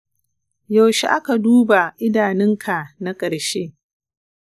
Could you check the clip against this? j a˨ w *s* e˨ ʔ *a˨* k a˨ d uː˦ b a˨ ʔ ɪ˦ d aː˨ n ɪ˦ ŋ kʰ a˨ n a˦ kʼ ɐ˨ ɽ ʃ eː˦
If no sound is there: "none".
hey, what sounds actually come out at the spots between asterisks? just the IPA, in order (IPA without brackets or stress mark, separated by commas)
ʃ, a˦